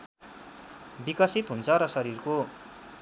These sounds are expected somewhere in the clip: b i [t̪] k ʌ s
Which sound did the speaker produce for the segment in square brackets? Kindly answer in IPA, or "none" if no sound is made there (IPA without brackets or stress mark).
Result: none